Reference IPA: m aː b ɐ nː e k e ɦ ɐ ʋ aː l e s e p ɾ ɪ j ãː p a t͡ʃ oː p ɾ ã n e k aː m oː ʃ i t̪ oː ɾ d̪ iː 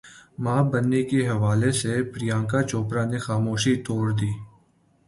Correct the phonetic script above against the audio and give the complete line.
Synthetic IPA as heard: m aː b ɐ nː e k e ɦ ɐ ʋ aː l e s e p ɾ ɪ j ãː k a t͡ʃ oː p ɾ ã n e x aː m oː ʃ i t̪ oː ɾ d̪ iː